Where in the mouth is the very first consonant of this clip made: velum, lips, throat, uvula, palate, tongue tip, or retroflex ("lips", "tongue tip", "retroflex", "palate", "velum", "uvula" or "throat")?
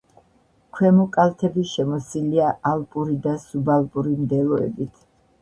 velum